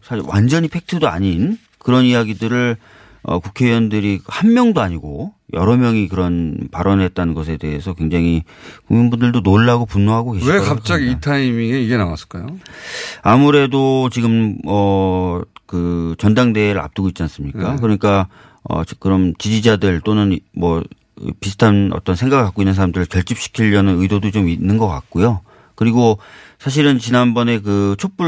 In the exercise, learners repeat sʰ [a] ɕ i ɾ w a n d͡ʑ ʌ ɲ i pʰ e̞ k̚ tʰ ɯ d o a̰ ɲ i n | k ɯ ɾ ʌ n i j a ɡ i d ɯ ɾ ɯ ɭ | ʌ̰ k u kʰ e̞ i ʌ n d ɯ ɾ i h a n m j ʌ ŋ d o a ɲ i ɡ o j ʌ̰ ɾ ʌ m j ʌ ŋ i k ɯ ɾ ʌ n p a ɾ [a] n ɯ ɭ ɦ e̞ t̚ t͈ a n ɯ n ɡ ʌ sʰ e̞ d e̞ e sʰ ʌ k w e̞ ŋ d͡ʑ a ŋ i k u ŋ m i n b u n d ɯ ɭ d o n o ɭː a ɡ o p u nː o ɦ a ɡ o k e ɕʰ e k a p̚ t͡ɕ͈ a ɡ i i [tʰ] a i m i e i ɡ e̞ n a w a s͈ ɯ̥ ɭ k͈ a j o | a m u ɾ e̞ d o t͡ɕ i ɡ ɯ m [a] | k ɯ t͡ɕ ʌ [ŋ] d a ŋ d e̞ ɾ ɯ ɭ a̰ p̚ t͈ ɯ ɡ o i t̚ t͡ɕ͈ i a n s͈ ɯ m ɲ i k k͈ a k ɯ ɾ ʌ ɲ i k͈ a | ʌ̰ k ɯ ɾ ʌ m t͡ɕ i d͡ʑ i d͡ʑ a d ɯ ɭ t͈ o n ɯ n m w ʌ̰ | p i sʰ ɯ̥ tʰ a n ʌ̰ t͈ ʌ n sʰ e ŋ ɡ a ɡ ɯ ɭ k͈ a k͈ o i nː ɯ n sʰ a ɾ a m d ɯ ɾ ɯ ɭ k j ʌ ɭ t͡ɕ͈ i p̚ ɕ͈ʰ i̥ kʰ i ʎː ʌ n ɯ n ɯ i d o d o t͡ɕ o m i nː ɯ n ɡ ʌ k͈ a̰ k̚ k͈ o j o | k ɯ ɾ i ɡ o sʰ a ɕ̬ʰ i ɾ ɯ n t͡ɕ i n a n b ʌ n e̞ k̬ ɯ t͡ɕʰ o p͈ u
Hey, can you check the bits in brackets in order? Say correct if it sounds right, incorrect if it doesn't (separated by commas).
correct, incorrect, correct, incorrect, incorrect